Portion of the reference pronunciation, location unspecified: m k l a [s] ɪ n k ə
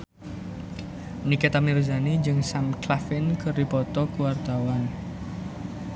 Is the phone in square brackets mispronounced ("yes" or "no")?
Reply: yes